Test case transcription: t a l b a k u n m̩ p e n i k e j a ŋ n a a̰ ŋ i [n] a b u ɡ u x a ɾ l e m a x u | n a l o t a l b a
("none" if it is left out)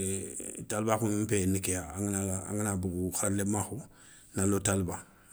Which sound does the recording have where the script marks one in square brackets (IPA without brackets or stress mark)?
n